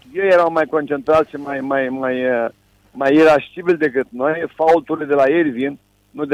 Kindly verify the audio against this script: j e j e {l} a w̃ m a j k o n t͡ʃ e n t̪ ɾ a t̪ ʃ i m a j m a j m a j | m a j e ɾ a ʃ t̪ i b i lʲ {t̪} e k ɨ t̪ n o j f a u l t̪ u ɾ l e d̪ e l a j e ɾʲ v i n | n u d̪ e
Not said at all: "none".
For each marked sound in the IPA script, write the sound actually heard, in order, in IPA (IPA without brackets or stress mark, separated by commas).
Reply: ɾ, d̪